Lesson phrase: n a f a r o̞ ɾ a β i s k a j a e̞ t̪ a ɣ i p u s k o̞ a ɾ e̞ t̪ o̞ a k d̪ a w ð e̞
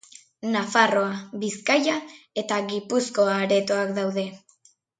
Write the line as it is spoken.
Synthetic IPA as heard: n a f a r o̞ a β i s k a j a e̞ t̪ a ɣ i p u s k o̞ a ɾ e̞ t̪ o̞ a k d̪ a w ð e̞